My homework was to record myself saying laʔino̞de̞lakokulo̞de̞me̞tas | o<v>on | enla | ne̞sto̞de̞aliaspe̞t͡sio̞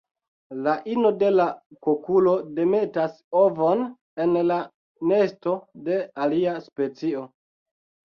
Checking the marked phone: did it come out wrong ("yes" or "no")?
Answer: no